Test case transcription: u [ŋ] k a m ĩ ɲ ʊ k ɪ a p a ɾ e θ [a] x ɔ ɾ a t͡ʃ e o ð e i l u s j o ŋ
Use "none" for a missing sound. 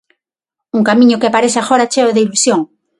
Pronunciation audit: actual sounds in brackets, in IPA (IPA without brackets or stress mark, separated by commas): ŋ, a